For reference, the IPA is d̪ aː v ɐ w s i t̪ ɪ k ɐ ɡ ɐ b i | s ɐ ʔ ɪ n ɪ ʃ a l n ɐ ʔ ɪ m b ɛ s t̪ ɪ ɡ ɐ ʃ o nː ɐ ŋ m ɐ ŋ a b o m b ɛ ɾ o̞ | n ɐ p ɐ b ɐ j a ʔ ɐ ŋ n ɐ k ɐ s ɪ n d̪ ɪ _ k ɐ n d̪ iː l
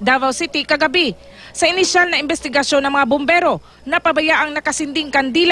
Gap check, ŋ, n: ŋ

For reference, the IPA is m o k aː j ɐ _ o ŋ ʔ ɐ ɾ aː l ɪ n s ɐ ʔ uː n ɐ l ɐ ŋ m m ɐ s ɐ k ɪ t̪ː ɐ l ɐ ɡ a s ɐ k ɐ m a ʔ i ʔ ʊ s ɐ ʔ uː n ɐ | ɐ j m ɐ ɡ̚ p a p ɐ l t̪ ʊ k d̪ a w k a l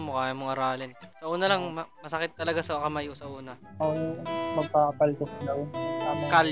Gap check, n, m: m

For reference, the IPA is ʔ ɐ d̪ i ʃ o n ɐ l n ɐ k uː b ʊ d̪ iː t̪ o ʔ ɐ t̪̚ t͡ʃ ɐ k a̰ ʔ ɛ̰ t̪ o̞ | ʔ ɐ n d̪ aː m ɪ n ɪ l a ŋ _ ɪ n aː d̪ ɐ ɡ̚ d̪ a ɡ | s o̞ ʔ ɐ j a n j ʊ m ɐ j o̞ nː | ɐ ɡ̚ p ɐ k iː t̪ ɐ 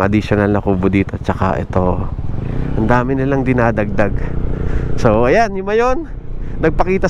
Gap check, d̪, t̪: d̪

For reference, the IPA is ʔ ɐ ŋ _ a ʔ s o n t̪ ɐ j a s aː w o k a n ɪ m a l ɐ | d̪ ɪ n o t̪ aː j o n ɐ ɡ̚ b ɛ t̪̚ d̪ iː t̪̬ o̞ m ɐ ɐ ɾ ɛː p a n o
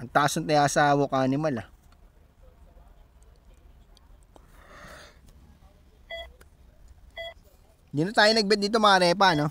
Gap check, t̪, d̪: t̪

